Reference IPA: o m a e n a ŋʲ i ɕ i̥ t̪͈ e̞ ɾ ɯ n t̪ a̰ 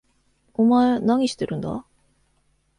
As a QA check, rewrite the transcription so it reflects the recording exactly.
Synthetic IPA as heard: o m a e n a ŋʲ i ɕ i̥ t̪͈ e̞ ɾ ɯ n d̪ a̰